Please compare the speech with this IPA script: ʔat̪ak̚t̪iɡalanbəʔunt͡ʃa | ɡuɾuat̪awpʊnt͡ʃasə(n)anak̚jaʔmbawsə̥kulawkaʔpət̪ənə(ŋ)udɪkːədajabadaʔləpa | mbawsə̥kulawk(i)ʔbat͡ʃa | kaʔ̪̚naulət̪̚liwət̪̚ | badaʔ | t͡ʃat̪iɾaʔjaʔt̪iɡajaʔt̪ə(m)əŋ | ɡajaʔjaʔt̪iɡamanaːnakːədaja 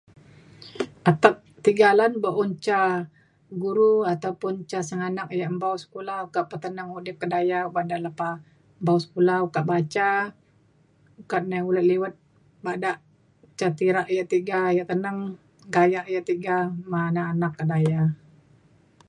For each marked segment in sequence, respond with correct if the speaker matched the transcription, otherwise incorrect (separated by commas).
incorrect, correct, incorrect, incorrect